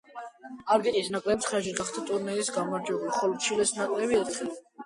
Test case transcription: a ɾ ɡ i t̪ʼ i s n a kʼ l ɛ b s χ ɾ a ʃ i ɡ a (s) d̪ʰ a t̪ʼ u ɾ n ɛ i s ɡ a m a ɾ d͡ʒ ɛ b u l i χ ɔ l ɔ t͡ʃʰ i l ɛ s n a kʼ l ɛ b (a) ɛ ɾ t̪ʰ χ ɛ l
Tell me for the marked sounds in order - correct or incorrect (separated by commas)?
incorrect, incorrect